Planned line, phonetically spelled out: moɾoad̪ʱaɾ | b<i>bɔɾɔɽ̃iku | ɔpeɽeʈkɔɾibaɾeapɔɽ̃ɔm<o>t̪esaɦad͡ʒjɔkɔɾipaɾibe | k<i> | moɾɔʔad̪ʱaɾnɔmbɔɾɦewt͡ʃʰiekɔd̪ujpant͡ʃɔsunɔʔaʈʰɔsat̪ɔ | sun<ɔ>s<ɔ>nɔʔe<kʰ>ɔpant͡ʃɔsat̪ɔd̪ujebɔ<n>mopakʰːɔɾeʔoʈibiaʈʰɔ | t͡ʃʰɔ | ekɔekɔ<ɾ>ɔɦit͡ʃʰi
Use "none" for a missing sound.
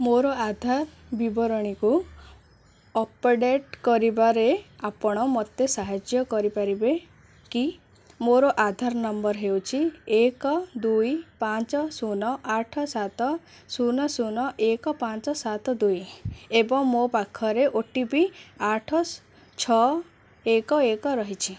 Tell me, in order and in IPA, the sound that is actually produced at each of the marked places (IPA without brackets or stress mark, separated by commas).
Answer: i, ɔ, i, ɔ, u, k, ŋ, ɾ